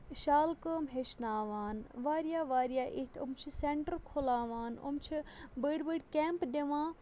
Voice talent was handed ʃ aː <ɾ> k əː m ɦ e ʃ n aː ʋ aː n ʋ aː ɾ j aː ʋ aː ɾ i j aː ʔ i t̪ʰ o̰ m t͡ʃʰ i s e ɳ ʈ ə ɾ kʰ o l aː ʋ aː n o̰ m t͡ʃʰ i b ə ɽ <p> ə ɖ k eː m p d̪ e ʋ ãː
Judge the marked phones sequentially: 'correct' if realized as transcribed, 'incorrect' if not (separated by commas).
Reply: incorrect, incorrect